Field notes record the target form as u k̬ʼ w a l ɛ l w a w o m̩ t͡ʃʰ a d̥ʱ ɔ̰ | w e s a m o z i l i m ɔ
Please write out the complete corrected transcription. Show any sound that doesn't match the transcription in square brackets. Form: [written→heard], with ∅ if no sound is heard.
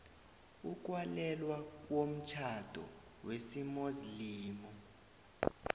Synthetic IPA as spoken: u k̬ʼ w a l ɛ l w a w o m̩ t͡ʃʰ a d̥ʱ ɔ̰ | w e s [a→i] m o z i l [i→iː] m ɔ